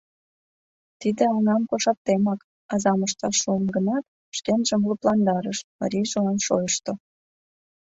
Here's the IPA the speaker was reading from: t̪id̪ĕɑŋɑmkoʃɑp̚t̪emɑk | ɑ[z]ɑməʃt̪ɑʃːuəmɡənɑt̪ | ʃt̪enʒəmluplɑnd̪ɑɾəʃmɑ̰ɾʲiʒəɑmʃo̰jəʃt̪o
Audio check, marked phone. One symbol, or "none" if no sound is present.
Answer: z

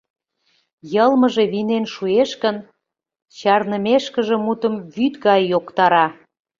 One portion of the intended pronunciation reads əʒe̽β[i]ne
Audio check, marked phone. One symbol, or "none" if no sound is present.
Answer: i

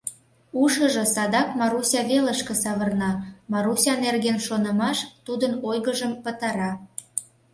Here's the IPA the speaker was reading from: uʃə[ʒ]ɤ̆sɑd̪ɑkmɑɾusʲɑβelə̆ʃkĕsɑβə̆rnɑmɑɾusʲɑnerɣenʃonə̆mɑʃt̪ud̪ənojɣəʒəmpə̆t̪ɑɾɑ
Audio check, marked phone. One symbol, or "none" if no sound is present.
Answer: ʒ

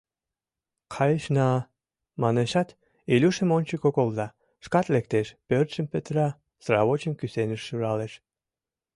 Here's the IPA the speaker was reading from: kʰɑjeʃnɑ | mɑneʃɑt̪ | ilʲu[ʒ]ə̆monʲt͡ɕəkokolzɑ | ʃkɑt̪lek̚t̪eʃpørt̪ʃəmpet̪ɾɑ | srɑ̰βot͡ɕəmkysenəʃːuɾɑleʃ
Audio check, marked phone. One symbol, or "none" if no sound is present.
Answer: ʃ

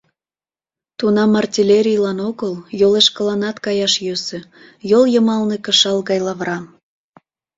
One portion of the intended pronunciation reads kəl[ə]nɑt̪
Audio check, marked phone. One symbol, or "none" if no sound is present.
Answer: ɑ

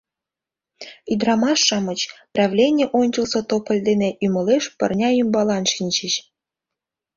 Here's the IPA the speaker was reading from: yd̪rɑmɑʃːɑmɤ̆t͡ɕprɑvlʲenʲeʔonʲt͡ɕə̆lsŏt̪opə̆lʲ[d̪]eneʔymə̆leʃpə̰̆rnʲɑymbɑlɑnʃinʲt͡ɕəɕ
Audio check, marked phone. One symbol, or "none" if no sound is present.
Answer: d̪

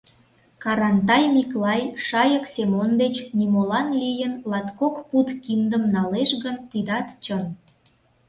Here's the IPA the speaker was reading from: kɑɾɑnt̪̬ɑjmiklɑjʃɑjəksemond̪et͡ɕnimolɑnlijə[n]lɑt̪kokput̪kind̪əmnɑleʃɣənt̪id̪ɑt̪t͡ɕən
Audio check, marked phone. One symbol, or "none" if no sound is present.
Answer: n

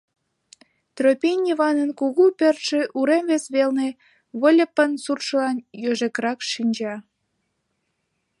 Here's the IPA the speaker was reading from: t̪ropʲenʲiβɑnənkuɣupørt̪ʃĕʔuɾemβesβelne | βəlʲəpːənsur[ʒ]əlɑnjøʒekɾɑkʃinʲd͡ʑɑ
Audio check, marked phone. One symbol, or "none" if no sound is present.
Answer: ʃ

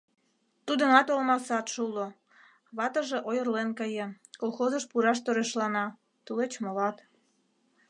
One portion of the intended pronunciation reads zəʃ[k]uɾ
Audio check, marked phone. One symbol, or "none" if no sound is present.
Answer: p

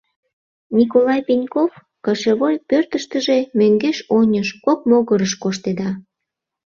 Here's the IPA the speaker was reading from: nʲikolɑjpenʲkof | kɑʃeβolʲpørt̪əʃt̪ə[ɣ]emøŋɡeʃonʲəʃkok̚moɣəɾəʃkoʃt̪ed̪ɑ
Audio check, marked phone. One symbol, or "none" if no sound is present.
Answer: ʒ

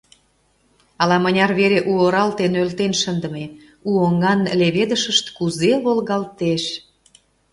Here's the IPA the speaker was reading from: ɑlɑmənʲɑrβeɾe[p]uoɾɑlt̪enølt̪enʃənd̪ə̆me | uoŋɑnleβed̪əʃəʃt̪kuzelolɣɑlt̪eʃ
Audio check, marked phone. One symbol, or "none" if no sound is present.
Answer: ʔ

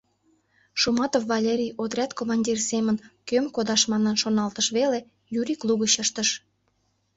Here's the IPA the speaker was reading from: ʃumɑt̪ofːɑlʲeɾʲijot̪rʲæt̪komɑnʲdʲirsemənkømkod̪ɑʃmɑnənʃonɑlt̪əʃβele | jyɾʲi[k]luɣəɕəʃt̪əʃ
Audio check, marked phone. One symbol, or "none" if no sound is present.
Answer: k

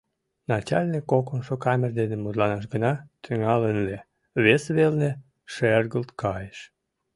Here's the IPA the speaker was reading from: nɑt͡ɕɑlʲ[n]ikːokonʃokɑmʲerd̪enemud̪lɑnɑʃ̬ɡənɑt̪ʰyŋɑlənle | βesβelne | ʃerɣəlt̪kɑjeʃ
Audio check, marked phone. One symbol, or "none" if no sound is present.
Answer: n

